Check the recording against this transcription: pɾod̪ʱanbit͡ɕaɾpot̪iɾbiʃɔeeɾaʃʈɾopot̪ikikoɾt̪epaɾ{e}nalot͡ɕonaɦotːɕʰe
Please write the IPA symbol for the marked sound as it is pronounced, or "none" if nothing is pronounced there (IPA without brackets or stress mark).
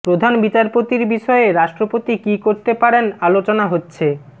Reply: e